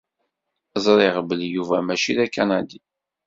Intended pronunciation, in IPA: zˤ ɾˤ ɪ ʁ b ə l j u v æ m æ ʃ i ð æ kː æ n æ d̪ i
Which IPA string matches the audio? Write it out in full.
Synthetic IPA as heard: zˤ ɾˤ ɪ ʁ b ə l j u v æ m æ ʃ i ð æ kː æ n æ d̪ i